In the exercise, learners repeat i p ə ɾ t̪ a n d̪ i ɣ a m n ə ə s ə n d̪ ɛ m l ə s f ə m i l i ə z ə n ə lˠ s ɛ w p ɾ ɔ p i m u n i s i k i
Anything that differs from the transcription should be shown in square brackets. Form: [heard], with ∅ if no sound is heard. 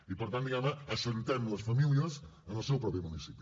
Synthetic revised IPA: i p ə ɾ t̪ a n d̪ i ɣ a m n ə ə s ə n [t̪] ɛ m l ə s f ə m i l i ə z ə n ə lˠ s ɛ w p ɾ ɔ p i m u n i s i [p] i